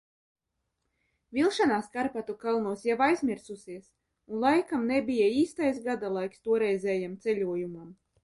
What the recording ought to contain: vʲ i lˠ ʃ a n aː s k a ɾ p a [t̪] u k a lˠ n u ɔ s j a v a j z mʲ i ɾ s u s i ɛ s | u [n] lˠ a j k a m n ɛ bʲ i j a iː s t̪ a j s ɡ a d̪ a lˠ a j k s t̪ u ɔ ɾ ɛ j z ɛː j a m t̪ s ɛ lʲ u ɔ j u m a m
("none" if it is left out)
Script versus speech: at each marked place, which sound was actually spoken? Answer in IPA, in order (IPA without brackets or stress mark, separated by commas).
t̪, n